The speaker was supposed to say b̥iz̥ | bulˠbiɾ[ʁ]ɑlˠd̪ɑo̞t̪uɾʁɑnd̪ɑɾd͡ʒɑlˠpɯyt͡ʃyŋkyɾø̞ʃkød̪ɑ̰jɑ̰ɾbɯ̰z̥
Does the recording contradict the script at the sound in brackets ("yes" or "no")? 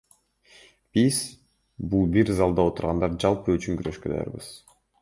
yes